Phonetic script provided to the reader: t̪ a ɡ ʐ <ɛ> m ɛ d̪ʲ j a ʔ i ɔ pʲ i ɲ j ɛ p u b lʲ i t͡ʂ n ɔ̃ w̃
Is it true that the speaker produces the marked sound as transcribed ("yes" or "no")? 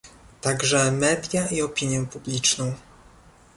yes